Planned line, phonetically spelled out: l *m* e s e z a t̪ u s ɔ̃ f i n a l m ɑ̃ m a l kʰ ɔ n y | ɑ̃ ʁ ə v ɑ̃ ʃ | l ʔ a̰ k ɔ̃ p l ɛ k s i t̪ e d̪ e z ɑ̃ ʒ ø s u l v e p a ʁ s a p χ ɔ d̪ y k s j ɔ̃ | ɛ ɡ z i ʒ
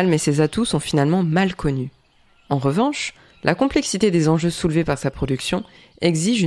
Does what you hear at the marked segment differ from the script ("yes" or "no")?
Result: no